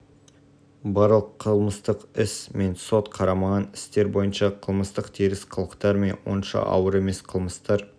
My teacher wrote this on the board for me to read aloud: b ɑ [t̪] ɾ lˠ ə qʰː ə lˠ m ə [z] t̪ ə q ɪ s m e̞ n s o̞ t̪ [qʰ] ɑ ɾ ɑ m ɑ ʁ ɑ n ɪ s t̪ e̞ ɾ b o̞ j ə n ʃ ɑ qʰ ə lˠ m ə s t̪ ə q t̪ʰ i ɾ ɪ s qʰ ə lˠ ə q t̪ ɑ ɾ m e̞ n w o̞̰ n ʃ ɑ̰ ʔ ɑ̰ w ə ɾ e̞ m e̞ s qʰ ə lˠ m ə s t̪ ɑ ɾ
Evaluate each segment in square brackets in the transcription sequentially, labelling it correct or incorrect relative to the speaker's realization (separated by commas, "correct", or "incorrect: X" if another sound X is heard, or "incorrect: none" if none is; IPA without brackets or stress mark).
incorrect: none, incorrect: s, correct